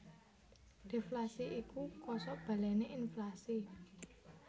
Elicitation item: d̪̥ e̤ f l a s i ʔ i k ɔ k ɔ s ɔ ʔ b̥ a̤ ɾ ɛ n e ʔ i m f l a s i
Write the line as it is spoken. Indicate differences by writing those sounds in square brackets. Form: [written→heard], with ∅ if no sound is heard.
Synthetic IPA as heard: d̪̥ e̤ f l a s i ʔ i k [ɔ→u] k ɔ s ɔ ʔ b̥ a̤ [ɾ→l] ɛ n e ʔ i [m→n] f l a s i